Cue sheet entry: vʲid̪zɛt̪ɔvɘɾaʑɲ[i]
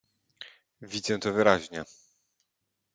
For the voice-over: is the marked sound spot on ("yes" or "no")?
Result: no